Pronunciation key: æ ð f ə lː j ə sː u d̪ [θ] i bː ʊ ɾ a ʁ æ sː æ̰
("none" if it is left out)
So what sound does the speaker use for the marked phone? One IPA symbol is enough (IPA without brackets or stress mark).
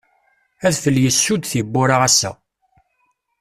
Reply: θ